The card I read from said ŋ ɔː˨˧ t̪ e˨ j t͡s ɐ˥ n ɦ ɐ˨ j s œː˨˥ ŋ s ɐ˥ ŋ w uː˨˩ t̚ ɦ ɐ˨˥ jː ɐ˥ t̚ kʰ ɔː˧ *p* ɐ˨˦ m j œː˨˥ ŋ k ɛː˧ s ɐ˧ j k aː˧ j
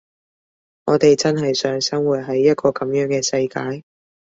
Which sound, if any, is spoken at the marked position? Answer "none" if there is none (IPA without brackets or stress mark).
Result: k